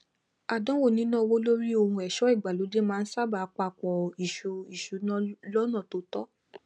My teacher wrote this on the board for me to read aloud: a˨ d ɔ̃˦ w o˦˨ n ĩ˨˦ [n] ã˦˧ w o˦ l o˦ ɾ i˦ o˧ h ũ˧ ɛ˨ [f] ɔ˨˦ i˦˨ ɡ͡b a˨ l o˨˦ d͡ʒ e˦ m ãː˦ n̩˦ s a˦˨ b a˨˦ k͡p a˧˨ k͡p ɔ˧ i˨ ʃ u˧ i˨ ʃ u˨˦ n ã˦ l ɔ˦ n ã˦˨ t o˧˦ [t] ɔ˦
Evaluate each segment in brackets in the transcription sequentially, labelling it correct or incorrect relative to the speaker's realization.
correct, incorrect: ʃ, correct

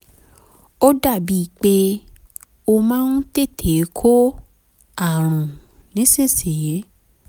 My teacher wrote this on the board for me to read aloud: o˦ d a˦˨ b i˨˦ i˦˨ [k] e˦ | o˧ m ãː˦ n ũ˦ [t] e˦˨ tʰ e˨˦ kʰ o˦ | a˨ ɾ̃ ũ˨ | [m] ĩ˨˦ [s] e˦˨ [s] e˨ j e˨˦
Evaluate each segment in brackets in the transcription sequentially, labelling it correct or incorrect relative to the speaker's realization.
incorrect: k͡p, correct, incorrect: n, correct, correct

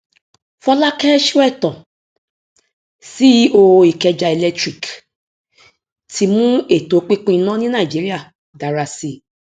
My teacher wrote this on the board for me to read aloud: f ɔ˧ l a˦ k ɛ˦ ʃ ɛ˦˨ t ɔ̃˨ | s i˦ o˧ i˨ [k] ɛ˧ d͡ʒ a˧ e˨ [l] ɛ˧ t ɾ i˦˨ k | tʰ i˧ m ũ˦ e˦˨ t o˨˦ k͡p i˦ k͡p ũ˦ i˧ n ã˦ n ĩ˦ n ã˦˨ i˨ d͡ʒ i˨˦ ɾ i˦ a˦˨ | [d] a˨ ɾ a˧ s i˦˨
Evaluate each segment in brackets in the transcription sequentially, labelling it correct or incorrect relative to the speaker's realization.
correct, correct, correct

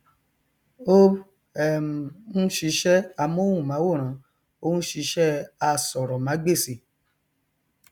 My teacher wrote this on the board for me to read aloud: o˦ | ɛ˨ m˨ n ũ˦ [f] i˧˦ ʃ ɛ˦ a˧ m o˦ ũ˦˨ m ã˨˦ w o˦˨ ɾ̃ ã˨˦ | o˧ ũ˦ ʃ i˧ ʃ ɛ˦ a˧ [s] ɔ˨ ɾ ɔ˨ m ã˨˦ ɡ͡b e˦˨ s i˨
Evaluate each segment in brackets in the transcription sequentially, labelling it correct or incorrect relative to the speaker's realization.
incorrect: ʃ, correct

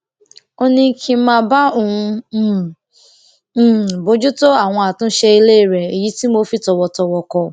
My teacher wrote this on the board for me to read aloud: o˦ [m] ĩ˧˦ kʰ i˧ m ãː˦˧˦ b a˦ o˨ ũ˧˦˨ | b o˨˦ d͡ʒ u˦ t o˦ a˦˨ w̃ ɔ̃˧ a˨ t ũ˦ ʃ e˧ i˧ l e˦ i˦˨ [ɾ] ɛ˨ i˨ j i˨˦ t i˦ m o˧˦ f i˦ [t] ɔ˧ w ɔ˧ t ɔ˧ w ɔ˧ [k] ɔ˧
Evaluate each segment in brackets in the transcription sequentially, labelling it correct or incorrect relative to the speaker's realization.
incorrect: n, correct, correct, correct

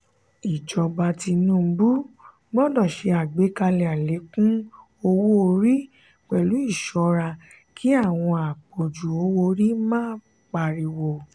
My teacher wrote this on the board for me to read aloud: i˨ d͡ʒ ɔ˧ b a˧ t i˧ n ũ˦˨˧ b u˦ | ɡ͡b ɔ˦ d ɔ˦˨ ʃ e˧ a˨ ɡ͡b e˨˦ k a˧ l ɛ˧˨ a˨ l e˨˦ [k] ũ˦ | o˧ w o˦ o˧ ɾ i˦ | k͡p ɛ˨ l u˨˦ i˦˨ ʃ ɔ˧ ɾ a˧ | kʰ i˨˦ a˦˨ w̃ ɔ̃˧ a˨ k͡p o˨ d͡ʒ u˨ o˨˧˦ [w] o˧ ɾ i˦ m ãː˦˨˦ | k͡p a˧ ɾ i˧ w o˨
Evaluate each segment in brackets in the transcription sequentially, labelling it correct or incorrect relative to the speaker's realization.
correct, correct

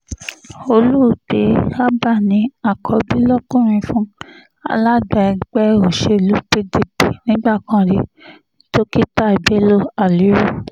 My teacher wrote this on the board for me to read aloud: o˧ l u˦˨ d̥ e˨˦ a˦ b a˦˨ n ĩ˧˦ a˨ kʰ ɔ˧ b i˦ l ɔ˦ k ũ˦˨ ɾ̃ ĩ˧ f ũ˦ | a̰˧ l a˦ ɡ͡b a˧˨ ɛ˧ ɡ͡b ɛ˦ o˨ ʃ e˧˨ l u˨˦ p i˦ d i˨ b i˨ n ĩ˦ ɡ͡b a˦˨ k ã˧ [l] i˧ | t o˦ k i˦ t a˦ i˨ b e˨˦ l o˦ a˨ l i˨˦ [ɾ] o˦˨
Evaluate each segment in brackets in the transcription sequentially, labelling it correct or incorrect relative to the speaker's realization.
incorrect: ɾ, correct

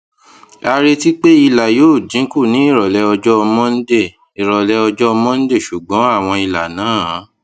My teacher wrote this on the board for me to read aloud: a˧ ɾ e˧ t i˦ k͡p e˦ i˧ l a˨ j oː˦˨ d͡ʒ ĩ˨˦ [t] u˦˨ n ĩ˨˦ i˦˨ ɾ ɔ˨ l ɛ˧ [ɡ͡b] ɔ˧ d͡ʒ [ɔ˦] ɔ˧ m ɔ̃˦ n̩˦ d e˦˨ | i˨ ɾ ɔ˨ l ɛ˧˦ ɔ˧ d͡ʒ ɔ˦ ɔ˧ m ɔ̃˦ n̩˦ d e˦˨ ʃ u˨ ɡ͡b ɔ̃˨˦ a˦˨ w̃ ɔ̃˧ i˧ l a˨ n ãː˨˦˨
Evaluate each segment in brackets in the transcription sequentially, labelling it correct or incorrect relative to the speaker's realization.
incorrect: k, incorrect: none, correct

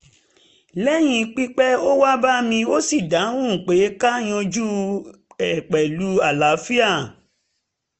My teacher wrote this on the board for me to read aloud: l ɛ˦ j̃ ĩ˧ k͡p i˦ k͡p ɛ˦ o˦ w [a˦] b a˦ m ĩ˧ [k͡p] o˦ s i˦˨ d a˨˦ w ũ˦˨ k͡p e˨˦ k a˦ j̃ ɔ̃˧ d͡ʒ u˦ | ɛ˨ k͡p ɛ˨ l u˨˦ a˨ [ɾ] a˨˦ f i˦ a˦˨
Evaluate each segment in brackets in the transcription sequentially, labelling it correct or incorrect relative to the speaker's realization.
correct, incorrect: none, incorrect: l

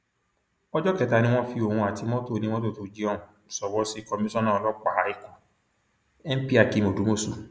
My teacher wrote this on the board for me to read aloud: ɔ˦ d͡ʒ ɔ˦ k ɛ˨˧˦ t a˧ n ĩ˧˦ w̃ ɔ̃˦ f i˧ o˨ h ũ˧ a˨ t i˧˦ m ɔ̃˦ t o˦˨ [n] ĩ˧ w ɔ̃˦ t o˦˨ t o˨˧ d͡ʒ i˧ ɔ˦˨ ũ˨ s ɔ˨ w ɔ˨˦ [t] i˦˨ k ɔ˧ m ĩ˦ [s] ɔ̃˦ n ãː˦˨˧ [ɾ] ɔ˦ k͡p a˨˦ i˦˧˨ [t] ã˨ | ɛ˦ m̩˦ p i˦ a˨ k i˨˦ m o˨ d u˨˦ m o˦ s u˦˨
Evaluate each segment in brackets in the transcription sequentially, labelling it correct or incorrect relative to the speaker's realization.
correct, incorrect: s, correct, incorrect: l, incorrect: k

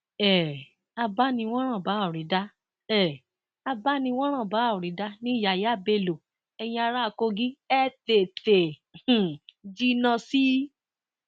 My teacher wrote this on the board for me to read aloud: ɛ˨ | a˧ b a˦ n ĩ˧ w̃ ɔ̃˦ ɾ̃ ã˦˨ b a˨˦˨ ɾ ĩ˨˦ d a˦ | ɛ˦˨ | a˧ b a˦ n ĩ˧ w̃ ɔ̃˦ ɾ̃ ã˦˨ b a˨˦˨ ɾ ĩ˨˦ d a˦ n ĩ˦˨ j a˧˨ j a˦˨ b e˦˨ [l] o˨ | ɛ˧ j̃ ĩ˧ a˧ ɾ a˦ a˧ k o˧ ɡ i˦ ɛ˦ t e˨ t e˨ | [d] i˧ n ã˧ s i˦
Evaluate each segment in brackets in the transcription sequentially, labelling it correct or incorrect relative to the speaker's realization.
correct, incorrect: d͡ʒ

